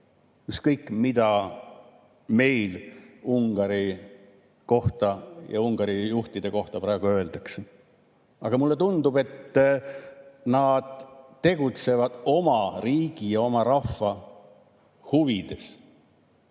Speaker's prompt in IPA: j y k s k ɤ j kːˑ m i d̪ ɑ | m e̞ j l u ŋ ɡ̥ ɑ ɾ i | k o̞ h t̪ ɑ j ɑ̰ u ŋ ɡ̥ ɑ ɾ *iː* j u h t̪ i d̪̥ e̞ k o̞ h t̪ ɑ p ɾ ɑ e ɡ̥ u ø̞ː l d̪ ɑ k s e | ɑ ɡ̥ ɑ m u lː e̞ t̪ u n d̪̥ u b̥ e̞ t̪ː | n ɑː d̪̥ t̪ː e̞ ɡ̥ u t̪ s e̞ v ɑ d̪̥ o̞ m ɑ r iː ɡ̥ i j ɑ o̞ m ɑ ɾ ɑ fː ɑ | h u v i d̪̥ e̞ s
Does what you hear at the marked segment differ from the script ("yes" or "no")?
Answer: yes